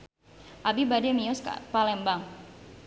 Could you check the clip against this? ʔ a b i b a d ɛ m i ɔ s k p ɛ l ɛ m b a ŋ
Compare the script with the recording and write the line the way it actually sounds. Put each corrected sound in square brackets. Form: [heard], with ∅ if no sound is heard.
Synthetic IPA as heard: ʔ a b i b a d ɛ m i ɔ s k p [a] l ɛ m b a ŋ